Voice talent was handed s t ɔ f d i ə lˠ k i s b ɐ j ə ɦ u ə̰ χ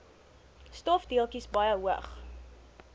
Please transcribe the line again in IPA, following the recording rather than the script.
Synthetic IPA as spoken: s t ɔ f d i ə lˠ k i s b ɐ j ə ɦ u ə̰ χ

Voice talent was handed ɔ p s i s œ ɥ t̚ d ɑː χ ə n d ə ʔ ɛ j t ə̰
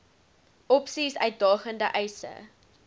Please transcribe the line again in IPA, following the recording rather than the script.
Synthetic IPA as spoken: ɔ p s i s œ ɥ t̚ d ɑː χ ə n d ə ʔ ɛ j s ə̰

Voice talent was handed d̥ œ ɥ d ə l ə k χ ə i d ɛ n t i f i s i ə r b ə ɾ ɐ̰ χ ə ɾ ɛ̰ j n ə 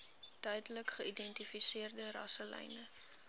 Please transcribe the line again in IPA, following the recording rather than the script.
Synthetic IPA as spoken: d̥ œ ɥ d ə l ə k χ ə i d ɛ n t i f i s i ə r d ə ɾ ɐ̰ s ə l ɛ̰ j n ə

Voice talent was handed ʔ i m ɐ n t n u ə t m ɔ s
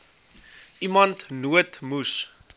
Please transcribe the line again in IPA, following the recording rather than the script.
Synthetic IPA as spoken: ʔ i m ɐ n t n u ə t m u s

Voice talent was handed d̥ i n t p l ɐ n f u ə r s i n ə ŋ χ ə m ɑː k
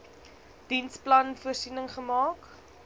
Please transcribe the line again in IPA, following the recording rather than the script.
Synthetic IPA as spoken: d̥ i n s p l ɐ n f u ə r s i n ə ŋ χ ə m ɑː k

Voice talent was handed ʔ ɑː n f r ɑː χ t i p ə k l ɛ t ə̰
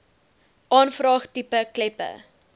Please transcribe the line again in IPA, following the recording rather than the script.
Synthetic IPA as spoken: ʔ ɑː n f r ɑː χ t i p ə k l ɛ p ə̰

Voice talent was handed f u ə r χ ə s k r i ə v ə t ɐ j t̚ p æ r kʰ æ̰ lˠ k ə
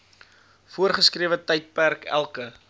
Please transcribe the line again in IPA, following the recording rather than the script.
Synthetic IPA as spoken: f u ə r χ ə s k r i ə v ə t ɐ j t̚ p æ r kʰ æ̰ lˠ k ə

